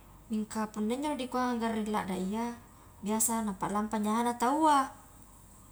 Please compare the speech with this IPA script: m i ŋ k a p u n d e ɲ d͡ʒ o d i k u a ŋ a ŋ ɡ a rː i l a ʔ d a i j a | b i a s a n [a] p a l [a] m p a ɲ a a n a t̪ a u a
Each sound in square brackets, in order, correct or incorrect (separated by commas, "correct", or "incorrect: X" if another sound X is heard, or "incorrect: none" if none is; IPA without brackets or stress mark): correct, correct